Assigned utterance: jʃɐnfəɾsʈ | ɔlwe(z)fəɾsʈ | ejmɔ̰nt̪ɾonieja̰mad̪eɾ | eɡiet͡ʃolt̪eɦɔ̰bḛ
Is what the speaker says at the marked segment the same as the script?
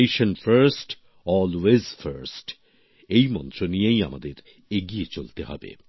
yes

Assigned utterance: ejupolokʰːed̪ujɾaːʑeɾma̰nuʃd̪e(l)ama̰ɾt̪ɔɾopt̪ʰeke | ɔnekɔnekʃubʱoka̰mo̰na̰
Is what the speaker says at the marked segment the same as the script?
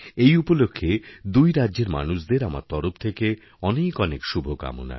no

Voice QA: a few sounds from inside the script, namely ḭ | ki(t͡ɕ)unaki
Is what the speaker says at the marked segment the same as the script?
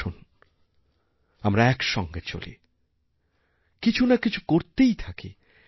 no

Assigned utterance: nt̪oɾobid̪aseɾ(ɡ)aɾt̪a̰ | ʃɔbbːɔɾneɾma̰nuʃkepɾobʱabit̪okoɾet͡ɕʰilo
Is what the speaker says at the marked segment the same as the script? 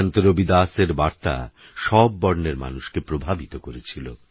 no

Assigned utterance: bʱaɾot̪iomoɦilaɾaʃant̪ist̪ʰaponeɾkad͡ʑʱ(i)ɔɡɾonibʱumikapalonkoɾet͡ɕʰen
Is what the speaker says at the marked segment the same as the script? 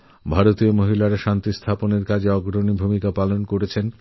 no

